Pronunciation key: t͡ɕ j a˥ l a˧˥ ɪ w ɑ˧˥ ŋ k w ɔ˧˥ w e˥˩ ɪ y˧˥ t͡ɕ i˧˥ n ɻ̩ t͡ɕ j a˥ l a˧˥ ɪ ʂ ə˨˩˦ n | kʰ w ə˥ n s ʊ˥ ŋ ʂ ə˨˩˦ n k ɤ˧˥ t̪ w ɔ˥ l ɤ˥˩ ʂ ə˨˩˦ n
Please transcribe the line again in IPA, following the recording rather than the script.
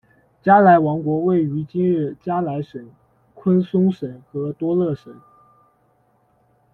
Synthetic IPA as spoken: t͡ɕ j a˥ l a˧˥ ɪ w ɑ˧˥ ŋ k w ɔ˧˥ w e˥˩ ɪ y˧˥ t͡ɕ i˥ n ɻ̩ t͡ɕ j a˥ l a˧˥ ɪ ʂ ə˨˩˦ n | kʰ w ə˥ n s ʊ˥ ŋ ʂ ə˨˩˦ n x ɤ˧˥ t̪ w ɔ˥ l ɤ˥˩ ʂ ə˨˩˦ n

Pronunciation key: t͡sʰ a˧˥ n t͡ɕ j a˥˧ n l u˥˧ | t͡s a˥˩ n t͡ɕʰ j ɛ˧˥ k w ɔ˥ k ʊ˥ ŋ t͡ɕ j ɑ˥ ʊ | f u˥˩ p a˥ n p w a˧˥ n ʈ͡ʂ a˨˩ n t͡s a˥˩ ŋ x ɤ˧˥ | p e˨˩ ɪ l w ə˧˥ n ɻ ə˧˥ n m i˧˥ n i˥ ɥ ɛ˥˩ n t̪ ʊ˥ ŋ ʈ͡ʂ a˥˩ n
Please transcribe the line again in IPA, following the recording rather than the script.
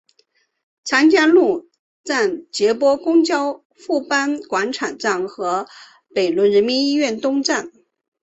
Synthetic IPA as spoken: t͡sʰ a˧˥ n t͡ɕ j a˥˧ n l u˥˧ | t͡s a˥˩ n t͡ɕ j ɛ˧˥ p w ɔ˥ k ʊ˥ ŋ t͡ɕ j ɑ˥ ʊ | f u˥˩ p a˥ n k w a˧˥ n ʈ͡ʂʰ a˨˩ n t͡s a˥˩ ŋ x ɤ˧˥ | p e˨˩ ɪ l w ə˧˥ n ɻ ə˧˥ n m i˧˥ n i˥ ɥ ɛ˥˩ n t̪ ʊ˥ ŋ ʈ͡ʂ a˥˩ n

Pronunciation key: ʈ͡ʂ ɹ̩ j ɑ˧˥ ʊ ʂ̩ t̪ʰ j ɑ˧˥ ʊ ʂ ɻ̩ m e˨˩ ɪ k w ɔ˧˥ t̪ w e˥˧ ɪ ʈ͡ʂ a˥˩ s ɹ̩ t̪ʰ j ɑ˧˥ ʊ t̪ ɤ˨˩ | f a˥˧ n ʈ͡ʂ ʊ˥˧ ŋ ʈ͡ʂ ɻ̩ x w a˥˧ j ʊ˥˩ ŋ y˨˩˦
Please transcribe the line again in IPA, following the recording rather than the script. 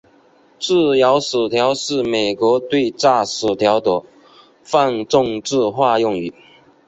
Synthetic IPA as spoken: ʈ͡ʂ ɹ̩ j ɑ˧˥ ʊ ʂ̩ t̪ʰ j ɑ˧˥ ʊ ʂ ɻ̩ m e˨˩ ɪ k w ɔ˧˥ t̪ w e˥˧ ɪ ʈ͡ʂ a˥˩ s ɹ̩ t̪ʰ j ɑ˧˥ ʊ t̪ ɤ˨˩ | f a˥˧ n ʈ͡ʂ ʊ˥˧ ŋ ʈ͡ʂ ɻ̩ x w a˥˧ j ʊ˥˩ ŋ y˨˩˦

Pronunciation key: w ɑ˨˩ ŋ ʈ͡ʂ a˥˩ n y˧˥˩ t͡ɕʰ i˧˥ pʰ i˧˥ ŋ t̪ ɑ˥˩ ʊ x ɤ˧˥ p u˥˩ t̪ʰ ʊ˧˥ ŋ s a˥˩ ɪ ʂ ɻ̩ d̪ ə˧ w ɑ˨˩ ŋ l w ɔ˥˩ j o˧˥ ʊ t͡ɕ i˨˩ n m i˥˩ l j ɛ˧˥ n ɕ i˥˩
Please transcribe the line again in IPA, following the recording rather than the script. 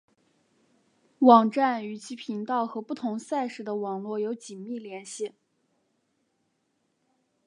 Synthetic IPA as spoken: w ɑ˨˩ ŋ ʈ͡ʂ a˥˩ n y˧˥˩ t͡ɕʰ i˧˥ pʰ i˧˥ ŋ t̪ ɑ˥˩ ʊ x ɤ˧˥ p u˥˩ t̪ʰ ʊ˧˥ ŋ s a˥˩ ɪ ʂ ɻ̩ d̪ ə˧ w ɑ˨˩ ŋ l w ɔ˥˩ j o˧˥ ʊ t͡ɕ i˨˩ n m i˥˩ l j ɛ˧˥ n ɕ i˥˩

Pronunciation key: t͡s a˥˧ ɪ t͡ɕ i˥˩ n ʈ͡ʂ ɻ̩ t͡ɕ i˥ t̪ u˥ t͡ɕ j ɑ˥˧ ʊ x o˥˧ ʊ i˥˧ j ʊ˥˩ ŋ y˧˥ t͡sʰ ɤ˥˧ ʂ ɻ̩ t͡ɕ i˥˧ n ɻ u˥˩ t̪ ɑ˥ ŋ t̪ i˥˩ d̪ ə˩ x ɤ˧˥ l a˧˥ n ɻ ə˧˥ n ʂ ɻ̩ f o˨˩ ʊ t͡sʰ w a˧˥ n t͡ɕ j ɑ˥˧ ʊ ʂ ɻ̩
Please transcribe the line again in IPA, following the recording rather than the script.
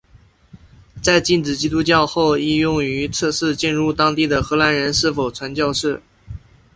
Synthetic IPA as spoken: t͡s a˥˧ ɪ t͡ɕ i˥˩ n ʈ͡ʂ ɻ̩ t͡ɕ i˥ t̪ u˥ t͡ɕ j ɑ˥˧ ʊ x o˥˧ ʊ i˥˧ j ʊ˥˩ ŋ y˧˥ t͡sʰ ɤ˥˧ ʂ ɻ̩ t͡ɕ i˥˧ n ɻ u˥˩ t̪ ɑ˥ ŋ t̪ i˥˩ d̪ ə˩ x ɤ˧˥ l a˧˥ n ɻ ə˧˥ n ʂ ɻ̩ f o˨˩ ʊ t͡sʰ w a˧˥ n t͡ɕ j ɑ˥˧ ʊ ʂ ɻ̩

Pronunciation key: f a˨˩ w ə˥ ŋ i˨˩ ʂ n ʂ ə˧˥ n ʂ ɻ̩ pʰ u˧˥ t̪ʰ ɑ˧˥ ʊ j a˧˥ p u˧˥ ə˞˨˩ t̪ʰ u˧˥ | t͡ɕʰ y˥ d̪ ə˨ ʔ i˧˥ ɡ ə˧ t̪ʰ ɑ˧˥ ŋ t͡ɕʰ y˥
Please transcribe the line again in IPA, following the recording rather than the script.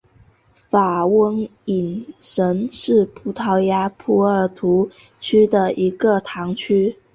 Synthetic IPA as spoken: f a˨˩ w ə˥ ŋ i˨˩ n ʂ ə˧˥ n ʂ ɻ̩ pʰ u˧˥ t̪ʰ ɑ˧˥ ʊ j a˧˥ pʰ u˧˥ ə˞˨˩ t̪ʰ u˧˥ | t͡ɕʰ y˥ d̪ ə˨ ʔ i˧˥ ɡ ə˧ t̪ʰ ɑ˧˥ ŋ t͡ɕʰ y˥

